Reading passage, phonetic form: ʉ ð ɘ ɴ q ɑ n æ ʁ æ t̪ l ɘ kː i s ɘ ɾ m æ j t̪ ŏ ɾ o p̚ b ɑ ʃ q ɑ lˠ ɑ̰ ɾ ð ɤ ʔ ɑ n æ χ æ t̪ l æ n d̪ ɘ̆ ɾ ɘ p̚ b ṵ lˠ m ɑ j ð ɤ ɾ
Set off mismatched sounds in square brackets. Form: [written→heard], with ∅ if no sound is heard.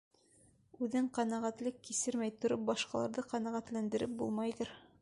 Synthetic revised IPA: ʉ ð ɘ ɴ q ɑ n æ ʁ æ t̪ l ɘ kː i s ɘ ɾ m æ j t̪ ŏ ɾ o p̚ b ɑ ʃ q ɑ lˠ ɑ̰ ɾ ð ɤ [ʔ→q] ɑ n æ [χ→ʁ] æ t̪ l æ n d̪ ɘ̆ ɾ ɘ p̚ b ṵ lˠ m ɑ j ð ɤ ɾ